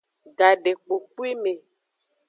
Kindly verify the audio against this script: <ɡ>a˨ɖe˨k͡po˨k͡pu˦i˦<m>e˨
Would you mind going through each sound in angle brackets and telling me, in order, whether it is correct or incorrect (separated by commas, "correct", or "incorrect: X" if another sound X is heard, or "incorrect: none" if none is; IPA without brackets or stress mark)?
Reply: correct, correct